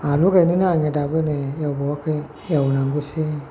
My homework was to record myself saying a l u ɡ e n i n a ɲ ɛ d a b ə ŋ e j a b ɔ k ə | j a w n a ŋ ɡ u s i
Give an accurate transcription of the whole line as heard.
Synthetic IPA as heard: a l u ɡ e n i n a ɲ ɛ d a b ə n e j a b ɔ k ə | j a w n a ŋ ɡ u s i